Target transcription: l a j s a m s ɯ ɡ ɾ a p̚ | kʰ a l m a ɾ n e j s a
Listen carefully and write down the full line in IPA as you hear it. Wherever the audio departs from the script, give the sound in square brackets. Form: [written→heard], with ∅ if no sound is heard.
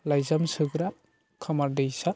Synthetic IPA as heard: l a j [s→z] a m s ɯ ɡ ɾ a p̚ | kʰ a [l→∅] m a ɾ [n→d] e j s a